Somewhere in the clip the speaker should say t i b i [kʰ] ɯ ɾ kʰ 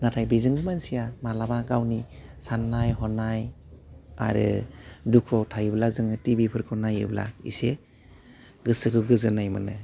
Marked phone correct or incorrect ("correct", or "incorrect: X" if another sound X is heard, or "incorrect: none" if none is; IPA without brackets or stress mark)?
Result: incorrect: pʰ